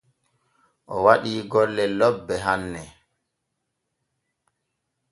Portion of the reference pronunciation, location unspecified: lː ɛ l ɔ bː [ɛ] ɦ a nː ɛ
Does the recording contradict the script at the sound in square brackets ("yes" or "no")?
no